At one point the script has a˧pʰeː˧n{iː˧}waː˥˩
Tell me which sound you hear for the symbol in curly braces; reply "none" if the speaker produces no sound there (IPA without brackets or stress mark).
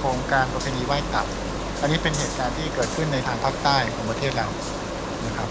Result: iː˧